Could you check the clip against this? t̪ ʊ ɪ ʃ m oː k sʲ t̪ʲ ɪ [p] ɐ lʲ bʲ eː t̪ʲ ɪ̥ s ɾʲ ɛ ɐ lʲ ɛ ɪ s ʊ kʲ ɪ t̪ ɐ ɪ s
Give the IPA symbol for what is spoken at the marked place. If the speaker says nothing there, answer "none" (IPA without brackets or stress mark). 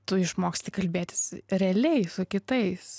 k